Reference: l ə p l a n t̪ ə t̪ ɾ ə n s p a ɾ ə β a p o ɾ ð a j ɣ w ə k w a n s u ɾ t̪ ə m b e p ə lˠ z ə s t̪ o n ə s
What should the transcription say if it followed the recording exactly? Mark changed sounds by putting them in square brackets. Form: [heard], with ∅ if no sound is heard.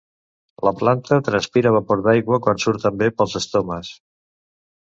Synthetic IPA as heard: l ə p l a n t̪ ə t̪ ɾ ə n s p [i] ɾ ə β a p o ɾ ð a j ɣ w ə k w a n s u ɾ t̪ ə m b e p ə lˠ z ə s t̪ o [m] ə s